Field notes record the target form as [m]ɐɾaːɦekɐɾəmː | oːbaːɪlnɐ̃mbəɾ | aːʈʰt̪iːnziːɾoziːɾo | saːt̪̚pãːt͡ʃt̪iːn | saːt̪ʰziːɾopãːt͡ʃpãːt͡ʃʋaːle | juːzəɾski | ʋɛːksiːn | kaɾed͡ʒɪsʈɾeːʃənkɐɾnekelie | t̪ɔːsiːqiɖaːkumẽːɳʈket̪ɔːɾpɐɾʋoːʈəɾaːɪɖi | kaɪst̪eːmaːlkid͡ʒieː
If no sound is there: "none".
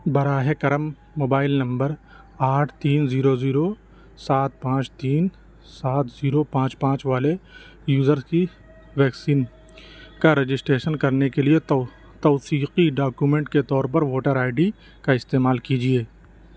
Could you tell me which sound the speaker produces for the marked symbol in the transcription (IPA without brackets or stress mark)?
b